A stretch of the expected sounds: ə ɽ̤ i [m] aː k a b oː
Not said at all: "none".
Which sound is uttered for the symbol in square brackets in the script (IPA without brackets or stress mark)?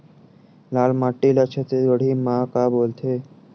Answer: m